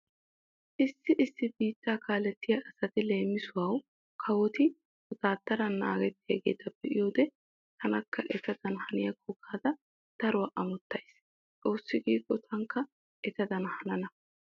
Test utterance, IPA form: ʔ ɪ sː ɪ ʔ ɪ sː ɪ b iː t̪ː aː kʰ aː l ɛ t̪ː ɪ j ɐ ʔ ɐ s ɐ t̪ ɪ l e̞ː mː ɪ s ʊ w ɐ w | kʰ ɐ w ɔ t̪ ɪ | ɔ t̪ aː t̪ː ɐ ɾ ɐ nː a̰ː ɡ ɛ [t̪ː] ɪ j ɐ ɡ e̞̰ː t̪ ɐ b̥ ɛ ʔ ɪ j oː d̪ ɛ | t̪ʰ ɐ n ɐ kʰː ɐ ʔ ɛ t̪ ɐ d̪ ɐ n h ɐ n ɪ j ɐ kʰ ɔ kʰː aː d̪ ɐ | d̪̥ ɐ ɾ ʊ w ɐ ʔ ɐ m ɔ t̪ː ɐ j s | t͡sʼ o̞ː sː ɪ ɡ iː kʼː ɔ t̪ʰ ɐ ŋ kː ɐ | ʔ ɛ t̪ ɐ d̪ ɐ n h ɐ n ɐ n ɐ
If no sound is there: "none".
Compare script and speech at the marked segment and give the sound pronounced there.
t̪ː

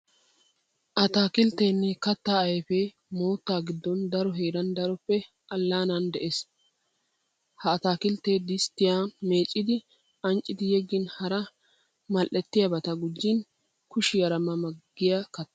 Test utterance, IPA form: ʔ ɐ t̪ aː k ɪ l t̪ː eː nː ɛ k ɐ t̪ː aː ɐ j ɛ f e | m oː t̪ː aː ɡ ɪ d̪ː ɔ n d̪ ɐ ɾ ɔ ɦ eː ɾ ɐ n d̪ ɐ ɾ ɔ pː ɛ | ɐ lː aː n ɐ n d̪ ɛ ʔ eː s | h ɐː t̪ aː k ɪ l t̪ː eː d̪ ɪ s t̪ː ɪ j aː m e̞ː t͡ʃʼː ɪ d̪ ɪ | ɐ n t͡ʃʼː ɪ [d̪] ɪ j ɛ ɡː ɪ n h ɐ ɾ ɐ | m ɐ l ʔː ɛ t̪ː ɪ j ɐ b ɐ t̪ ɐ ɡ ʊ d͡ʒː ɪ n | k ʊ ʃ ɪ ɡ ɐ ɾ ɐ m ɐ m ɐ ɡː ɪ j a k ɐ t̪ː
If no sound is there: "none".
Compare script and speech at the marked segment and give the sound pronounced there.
d̪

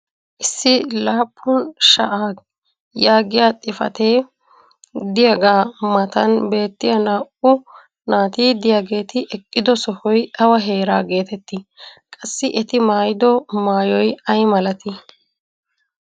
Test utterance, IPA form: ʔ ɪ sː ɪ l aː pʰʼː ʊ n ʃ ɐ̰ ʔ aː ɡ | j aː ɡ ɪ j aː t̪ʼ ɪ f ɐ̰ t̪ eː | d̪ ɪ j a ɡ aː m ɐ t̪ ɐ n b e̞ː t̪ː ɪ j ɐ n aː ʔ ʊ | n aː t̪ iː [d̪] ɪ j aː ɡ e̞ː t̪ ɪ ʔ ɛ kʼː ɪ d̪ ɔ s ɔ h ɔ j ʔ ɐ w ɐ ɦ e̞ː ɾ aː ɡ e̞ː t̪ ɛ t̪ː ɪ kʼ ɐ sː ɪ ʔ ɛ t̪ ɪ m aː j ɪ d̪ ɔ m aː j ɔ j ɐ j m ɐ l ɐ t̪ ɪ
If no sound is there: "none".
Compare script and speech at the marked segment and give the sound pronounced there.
d̪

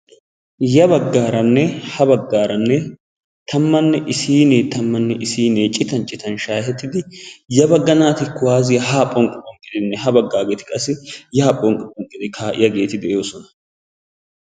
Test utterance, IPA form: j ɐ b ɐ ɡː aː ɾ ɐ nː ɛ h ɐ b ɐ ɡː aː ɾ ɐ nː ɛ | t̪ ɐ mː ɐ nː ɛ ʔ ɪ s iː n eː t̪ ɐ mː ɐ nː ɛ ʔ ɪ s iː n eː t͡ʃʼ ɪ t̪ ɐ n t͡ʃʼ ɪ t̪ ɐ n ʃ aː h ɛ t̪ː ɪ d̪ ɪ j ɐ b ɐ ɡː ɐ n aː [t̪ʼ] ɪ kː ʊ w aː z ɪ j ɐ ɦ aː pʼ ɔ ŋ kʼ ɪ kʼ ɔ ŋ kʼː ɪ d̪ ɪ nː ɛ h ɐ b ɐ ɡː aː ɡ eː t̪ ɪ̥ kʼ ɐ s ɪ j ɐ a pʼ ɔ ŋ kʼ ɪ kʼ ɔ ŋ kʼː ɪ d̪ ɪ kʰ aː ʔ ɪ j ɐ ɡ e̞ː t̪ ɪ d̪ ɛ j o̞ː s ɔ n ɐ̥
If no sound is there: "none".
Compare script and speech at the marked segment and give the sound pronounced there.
t̪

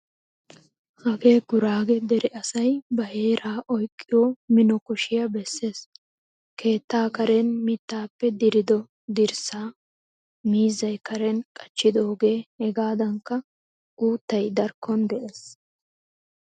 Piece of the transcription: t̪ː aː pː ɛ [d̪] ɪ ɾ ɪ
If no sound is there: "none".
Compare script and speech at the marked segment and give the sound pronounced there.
d̪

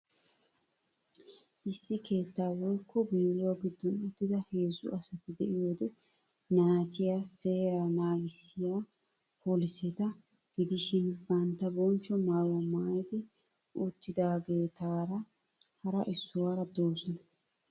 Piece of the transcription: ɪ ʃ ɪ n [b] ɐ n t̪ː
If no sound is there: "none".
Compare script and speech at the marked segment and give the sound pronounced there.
b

